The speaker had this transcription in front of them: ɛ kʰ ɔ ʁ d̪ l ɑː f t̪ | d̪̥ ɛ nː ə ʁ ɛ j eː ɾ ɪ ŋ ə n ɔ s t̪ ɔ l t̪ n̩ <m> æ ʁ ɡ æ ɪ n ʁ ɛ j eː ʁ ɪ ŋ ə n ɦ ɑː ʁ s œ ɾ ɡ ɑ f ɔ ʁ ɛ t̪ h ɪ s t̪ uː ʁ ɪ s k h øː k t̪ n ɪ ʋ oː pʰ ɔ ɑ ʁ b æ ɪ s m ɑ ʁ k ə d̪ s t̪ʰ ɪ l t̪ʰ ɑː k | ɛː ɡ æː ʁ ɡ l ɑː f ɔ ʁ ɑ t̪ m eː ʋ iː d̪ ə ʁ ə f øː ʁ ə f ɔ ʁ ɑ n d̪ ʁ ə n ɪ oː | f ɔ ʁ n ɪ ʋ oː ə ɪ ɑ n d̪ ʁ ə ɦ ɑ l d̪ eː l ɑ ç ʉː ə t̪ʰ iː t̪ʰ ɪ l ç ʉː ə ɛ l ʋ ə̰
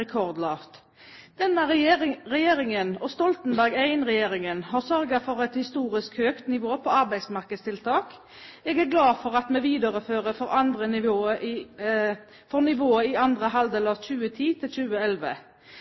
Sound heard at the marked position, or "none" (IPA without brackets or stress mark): b